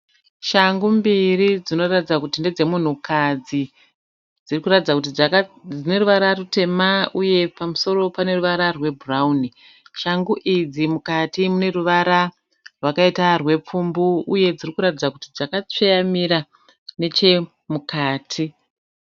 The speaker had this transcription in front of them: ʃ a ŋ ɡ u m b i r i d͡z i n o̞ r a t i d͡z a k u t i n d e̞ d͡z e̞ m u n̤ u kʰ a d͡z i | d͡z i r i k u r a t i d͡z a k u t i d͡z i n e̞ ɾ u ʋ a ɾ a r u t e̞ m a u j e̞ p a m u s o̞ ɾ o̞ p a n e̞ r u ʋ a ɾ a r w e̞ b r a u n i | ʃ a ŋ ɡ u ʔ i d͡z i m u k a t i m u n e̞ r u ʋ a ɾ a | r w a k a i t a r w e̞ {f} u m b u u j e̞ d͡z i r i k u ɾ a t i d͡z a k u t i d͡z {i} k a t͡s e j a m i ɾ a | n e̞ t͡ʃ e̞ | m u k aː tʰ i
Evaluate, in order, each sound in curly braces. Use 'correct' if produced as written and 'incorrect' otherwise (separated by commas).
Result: incorrect, incorrect